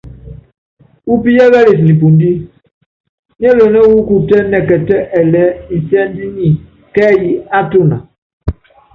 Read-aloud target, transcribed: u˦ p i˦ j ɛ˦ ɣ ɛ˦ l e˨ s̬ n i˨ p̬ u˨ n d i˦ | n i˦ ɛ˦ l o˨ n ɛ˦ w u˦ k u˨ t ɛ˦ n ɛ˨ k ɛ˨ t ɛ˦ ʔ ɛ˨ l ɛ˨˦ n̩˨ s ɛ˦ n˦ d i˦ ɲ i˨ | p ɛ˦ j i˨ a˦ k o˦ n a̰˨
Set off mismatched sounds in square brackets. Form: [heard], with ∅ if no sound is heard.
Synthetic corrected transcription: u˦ p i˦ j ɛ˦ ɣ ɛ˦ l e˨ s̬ n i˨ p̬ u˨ n d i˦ | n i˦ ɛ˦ l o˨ n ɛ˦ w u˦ k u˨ t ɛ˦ n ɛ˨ k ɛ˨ t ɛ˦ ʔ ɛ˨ l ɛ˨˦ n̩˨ s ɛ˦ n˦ d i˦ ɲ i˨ | [k] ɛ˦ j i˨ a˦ [t] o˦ n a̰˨

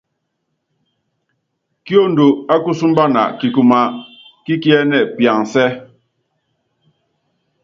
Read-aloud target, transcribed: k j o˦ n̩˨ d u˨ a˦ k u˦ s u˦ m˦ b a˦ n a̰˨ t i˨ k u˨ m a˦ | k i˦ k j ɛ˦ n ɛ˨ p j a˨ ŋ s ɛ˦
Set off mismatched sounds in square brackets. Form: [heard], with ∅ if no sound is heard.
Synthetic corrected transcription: k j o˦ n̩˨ d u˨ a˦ k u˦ s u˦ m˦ b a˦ n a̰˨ [k] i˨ k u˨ m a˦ | k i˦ k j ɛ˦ n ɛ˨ p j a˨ ŋ s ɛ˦

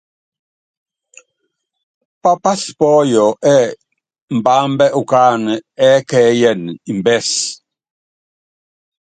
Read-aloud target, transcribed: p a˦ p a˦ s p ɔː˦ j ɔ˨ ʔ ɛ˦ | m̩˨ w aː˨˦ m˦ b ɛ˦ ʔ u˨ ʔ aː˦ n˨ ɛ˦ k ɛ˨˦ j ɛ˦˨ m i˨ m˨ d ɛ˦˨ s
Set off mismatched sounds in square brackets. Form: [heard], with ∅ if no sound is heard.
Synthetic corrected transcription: p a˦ p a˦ s p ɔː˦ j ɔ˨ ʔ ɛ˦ | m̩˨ [b] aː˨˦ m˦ b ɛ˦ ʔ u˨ [k] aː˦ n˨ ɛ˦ k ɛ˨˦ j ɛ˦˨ [n] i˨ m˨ [b] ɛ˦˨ s

